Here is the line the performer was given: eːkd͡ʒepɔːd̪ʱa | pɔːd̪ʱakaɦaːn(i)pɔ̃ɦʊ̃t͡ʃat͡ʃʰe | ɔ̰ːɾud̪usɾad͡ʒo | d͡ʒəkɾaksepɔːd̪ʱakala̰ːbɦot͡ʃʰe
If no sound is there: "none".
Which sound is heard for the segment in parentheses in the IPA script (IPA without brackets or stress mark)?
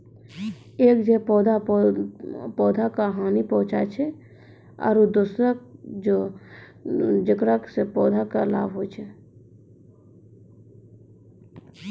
i